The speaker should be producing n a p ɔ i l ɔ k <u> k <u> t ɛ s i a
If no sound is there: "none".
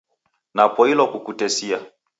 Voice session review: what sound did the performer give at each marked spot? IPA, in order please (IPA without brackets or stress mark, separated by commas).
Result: u, u